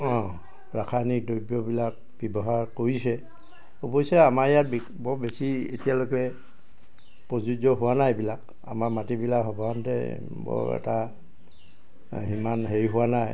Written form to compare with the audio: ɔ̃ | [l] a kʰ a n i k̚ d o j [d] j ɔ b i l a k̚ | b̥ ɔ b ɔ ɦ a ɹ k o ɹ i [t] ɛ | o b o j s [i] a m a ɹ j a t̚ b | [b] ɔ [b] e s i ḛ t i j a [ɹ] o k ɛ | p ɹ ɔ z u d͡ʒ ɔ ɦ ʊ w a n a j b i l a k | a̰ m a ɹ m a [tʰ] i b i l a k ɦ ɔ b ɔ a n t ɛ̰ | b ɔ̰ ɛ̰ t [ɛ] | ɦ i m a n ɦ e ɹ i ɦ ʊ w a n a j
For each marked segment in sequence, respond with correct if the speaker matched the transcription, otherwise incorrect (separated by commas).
incorrect, incorrect, incorrect, incorrect, correct, correct, incorrect, incorrect, incorrect